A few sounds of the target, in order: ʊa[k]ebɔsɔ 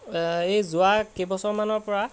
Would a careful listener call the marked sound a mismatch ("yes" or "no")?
no